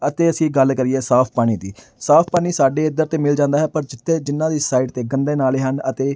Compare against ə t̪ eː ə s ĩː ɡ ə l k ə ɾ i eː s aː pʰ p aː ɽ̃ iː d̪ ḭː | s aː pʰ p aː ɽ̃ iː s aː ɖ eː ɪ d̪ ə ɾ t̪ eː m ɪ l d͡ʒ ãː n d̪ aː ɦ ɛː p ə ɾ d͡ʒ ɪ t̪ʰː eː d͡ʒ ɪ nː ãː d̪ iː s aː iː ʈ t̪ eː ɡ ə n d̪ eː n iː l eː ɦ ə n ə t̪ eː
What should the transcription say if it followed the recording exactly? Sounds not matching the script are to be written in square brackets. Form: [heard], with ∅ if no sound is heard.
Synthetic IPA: ə t̪ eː ə s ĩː ɡ ə l k ə ɾ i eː s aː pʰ p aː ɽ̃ iː d̪ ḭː | s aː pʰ p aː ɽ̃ iː s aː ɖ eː ɪ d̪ ə ɾ t̪ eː m ɪ l d͡ʒ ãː n d̪ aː ɦ ɛː p ə ɾ d͡ʒ ɪ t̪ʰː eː d͡ʒ ɪ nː ãː d̪ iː s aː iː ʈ t̪ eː ɡ ə n d̪ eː n [aː] l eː ɦ ə n ə t̪ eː